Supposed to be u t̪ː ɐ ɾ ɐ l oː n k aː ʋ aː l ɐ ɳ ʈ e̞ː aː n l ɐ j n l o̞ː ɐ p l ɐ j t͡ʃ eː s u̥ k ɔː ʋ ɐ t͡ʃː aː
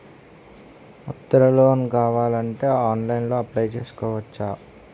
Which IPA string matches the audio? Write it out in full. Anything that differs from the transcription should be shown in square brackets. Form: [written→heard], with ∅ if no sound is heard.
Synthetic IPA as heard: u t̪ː ɐ ɾ ɐ l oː n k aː ʋ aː l ɐ ɳ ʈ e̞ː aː n l ɐ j n l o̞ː ɐ p l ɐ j t͡ʃ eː s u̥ k ɔː ʋ ɐ t͡ʃː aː